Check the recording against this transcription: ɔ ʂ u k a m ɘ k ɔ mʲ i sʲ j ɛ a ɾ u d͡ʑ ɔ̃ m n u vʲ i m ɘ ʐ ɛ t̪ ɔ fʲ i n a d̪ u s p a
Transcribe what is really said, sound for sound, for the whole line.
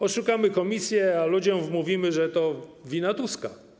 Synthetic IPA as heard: ɔ ʂ u k a m ɘ k ɔ mʲ i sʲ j ɛ a l u d͡ʑ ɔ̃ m m u vʲ i m ɘ ʐ ɛ t̪ ɔ vʲ i n a t̪ u s k a